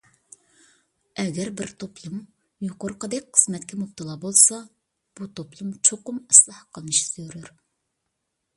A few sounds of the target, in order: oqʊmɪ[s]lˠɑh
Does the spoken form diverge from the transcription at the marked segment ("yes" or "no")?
no